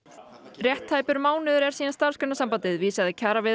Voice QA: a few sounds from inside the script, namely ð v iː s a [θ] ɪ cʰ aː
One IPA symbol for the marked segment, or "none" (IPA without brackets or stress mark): ð